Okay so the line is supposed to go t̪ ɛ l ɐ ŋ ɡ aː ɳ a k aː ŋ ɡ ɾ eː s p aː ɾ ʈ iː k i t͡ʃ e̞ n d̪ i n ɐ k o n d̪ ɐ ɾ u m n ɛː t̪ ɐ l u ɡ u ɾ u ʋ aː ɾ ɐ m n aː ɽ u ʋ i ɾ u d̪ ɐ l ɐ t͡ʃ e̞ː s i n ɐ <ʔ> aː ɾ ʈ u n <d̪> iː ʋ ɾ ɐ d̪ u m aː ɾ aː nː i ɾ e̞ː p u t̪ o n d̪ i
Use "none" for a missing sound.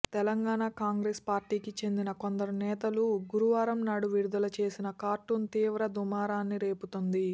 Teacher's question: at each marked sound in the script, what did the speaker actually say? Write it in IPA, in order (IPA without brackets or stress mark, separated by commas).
k, t̪